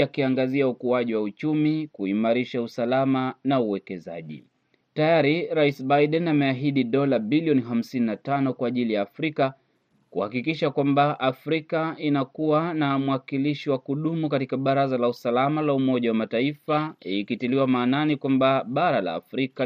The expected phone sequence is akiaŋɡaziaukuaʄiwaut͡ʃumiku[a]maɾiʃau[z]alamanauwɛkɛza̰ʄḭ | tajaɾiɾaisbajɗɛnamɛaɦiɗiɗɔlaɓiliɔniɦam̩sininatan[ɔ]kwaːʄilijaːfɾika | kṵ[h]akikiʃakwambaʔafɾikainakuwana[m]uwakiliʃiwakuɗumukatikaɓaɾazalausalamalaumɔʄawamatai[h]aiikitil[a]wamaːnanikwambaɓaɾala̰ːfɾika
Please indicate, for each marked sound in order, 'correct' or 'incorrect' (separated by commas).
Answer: incorrect, incorrect, correct, correct, correct, incorrect, incorrect